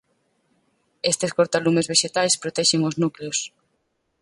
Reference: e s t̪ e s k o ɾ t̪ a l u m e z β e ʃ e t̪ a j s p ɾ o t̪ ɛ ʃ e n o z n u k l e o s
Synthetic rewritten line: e s t̪ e s k o ɾ t̪ a l u m e z β e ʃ e t̪ a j s p ɾ o t̪ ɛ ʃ e ŋ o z n u k l e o s